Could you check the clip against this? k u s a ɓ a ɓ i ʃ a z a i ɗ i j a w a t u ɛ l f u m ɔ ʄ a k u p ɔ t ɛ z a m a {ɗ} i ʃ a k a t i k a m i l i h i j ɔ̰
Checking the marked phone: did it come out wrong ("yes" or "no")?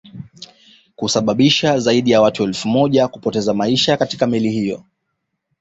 yes